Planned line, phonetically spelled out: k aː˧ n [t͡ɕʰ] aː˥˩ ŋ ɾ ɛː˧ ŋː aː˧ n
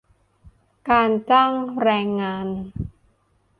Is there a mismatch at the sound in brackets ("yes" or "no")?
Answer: yes